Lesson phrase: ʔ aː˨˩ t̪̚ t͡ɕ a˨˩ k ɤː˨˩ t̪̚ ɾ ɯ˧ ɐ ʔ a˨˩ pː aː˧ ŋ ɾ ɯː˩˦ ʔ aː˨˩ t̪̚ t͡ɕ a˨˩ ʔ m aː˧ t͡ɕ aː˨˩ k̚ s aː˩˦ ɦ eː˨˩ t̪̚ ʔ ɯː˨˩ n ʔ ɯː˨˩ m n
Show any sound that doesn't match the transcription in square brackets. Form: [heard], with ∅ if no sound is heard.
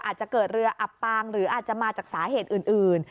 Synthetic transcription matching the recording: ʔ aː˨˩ t̪̚ t͡ɕ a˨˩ k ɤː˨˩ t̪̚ ɾ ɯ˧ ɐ ʔ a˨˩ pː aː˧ ŋ ɾ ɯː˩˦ ʔ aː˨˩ t̪̚ t͡ɕ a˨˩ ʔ m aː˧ t͡ɕ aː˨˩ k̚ s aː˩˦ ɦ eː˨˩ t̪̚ ʔ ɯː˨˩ n ʔ ɯː˨˩ [∅] n

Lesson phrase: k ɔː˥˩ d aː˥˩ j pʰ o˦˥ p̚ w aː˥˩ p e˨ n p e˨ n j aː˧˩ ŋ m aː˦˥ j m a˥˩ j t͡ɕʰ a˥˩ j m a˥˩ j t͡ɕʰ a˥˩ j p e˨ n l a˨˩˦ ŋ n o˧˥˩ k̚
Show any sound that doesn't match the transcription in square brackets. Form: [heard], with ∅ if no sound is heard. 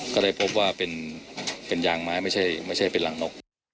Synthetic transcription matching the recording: k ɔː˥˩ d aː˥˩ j pʰ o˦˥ p̚ w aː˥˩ p e˨ n p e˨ n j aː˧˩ ŋ m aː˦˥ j m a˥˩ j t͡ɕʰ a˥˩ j m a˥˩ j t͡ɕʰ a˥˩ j p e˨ n l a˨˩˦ ŋ n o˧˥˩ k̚

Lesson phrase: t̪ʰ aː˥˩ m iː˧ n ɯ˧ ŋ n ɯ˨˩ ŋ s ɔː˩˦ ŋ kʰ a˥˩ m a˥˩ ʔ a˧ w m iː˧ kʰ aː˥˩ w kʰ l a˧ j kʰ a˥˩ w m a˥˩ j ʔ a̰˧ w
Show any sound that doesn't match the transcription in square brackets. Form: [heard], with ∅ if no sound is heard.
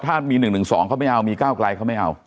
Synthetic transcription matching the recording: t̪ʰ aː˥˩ m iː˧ n [ɯ˨˩] ŋ n ɯ˨˩ ŋ s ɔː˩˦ ŋ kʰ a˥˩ m a˥˩ ʔ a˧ w m iː˧ [k] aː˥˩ w [k] l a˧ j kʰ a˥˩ w m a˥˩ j ʔ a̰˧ w

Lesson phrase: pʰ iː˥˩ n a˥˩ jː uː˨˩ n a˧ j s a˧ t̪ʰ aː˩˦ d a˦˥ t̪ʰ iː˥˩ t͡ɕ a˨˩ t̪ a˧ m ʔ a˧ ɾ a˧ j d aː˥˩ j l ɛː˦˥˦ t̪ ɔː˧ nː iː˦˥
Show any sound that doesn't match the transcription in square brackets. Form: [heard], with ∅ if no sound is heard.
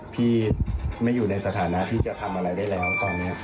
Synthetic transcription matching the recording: pʰ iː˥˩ [m] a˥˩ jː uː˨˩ n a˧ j s a˧ t̪ʰ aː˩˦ [n] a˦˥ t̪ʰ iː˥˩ t͡ɕ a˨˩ [t̪ʰ] a˧ m ʔ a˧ ɾ a˧ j d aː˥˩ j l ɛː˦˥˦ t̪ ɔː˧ nː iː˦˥

